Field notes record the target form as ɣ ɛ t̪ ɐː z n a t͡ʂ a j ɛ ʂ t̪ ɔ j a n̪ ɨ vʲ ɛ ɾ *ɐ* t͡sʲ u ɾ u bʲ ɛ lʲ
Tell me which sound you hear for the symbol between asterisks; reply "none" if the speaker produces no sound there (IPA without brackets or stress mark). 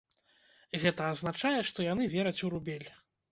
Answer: ɐ